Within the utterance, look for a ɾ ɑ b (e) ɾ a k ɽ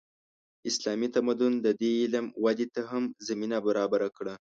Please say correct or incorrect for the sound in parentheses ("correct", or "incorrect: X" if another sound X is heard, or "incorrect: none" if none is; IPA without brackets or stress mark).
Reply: incorrect: a